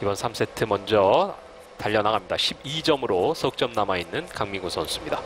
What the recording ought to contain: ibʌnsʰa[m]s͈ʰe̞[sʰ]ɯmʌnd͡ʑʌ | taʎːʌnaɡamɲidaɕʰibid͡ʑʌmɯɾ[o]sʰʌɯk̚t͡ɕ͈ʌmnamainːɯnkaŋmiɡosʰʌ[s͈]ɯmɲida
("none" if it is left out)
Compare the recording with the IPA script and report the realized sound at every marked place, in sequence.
m, tʰ, o, s͈

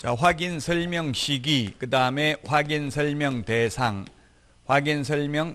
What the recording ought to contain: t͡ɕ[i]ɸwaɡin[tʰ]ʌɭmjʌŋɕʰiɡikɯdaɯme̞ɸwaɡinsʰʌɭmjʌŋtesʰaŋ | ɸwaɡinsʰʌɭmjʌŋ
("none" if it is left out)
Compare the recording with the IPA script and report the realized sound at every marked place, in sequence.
a, sʰ

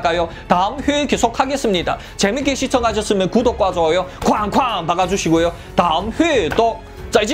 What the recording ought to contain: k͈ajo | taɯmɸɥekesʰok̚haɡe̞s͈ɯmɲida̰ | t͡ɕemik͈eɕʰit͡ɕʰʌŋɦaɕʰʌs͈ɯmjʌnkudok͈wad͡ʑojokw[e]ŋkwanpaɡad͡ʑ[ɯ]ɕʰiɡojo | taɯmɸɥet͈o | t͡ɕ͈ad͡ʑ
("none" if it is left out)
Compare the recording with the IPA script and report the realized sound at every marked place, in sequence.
a, u

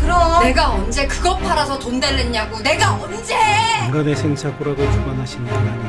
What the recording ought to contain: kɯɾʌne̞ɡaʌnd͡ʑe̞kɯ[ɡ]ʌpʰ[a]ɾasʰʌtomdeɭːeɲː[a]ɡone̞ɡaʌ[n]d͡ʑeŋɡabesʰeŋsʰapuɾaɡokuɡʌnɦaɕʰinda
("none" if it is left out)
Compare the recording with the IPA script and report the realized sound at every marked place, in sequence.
ɡ, a, a, n

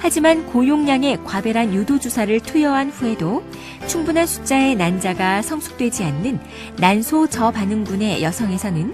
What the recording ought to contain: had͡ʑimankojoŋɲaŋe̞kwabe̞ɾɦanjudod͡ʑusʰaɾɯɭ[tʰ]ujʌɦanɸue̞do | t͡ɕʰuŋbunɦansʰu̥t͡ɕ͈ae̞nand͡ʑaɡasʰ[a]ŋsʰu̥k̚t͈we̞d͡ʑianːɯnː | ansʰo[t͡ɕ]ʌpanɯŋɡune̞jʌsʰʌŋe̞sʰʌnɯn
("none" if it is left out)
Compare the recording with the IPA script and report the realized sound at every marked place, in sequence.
tʰ, ʌ, t͡ɕ

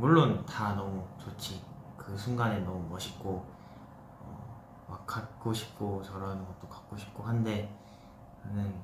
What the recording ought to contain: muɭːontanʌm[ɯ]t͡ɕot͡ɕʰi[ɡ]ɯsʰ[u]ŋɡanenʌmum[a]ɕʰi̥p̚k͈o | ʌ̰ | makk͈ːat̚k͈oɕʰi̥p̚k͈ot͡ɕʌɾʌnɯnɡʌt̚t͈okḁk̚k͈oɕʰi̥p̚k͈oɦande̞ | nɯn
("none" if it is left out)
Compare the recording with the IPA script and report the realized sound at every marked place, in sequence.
u, k, u, ʌ

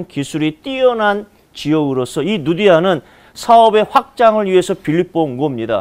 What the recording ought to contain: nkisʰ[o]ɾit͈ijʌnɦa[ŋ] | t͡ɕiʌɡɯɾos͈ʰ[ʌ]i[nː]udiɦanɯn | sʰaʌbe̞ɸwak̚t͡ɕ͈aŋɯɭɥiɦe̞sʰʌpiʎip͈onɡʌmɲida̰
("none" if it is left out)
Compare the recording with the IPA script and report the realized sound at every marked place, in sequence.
u, n, ʌ, n

